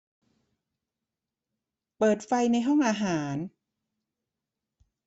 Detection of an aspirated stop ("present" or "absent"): absent